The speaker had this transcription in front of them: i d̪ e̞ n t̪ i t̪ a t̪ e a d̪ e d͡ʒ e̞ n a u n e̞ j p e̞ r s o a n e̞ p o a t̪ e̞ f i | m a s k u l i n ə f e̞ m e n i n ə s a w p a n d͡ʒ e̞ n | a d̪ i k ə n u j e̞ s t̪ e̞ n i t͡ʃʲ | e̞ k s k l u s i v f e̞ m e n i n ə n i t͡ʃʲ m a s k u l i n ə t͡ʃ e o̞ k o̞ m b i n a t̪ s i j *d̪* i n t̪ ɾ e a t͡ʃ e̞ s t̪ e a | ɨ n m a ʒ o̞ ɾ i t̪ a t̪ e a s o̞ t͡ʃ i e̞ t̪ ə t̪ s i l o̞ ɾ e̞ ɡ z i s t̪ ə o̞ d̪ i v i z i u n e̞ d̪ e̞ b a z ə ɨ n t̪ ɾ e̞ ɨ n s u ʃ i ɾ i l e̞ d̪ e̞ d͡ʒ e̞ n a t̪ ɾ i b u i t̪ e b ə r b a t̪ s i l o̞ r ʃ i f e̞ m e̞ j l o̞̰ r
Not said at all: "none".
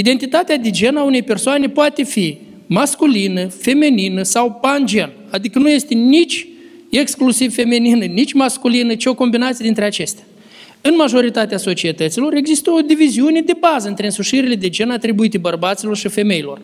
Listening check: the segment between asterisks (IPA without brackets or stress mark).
d̪